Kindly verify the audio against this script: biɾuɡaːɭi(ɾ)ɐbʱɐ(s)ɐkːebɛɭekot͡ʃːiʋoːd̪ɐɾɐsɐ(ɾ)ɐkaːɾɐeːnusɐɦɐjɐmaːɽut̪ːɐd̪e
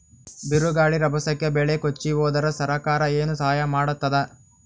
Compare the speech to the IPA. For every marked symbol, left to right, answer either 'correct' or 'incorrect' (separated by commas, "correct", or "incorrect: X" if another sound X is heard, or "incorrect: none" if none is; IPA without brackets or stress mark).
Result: correct, correct, correct